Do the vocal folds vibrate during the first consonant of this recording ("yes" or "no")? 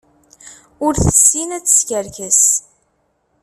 yes